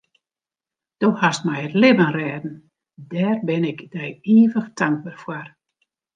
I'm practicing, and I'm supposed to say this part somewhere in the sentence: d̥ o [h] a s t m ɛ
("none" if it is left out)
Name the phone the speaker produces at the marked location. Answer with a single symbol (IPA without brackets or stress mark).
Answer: h